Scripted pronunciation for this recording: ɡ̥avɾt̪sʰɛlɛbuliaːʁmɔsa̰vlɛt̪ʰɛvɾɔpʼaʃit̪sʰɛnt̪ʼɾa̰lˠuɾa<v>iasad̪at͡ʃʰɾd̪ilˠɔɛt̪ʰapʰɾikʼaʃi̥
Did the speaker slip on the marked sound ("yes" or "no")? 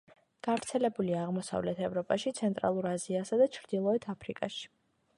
yes